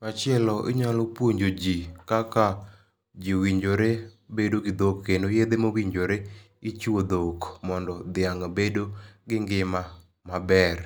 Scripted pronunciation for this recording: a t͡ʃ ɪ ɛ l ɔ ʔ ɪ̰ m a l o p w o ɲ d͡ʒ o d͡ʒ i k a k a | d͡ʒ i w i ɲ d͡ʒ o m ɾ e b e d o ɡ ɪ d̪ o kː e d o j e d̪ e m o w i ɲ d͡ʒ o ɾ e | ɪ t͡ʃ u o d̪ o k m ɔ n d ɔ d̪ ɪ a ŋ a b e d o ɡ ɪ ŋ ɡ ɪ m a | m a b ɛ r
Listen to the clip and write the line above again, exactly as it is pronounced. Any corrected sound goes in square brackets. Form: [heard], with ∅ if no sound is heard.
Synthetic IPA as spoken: a t͡ʃ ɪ ɛ l ɔ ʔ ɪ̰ [ɲ] a l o p w o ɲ d͡ʒ o d͡ʒ i k a k a | d͡ʒ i w i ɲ d͡ʒ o [∅] ɾ e b e d o ɡ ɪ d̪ o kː e [n] o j e d̪ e m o w i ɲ d͡ʒ o ɾ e | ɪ t͡ʃ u o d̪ o k m ɔ n d ɔ d̪ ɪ a ŋ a b e d o ɡ ɪ ŋ ɡ ɪ m a | m a b ɛ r